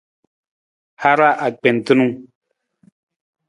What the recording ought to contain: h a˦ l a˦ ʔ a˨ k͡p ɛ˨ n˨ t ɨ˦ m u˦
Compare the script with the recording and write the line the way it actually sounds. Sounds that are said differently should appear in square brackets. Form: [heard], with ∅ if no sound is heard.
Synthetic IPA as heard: h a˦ [ɾ] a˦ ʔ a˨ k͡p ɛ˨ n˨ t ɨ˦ [n] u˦